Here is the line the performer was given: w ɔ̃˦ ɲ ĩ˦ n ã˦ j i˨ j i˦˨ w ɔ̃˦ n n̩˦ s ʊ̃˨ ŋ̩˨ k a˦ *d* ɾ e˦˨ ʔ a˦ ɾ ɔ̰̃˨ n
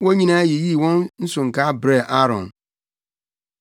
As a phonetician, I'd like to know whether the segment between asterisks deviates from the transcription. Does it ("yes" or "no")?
yes